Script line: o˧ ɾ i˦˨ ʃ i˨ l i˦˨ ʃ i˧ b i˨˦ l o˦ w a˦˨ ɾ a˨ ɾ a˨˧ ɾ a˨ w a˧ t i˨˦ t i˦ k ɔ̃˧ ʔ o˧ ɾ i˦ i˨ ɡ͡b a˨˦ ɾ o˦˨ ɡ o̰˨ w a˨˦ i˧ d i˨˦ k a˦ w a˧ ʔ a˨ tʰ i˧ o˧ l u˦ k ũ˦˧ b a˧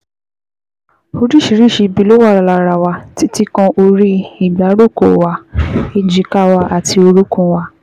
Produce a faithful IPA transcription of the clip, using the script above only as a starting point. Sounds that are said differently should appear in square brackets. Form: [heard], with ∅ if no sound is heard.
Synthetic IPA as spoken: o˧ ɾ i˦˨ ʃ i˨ [ɾ] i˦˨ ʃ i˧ b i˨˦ l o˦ w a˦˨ ɾ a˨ [l] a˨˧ ɾ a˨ w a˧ t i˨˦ t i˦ k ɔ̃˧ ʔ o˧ ɾ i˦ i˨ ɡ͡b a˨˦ ɾ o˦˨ [k] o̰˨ w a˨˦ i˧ [d͡ʒ] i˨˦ k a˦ w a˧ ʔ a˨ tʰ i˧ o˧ [ɾ] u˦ k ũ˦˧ [w] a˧